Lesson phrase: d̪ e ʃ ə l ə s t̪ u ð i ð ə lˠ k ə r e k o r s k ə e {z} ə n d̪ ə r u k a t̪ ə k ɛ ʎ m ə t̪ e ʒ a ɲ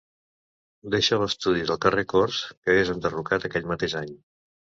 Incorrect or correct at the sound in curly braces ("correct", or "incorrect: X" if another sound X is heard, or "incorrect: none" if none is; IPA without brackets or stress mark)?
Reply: correct